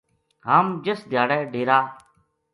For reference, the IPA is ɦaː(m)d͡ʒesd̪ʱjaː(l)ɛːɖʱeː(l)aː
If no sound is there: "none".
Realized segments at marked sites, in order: m, ɽ, ɾ

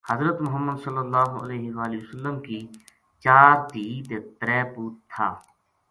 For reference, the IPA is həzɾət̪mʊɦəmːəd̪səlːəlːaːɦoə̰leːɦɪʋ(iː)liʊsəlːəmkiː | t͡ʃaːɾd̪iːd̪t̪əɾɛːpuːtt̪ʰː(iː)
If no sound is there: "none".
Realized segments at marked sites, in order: aː, aː

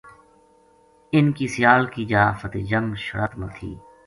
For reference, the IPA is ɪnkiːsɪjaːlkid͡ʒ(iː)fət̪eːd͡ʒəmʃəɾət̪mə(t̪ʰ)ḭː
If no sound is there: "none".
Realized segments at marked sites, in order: aː, t̪ʰ

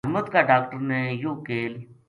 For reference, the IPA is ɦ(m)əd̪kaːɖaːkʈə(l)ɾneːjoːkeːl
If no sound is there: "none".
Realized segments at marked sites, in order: m, none

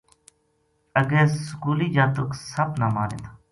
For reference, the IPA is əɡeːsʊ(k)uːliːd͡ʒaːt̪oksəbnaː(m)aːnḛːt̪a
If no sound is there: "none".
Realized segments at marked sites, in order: k, m

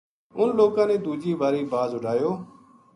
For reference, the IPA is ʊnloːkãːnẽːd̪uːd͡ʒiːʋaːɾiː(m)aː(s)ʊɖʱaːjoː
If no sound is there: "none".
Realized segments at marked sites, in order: b, z

